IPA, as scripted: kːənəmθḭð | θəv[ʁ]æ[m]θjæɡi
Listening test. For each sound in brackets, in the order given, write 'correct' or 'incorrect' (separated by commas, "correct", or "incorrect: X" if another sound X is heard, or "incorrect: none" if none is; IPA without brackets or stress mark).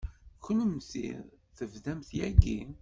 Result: incorrect: ð, correct